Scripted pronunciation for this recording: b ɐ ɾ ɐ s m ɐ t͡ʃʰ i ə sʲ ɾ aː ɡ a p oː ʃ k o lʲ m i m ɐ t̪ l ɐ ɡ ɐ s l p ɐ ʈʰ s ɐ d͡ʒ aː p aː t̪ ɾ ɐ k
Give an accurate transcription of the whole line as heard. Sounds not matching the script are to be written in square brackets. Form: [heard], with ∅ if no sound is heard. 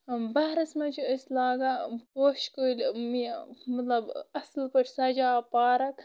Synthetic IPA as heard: b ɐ ɾ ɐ s m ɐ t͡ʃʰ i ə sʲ [l] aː ɡ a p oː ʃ k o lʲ m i m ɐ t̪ l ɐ [b] ɐ s l p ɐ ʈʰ s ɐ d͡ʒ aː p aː [∅] ɾ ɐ k